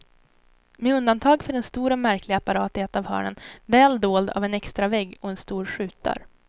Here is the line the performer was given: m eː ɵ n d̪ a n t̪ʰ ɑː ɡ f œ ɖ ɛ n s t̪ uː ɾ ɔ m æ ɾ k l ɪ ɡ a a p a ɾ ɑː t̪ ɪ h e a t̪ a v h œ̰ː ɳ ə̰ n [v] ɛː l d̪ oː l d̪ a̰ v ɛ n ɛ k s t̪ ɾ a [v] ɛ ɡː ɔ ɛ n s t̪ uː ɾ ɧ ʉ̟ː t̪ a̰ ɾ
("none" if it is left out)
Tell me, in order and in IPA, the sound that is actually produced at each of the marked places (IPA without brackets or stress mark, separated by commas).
v, v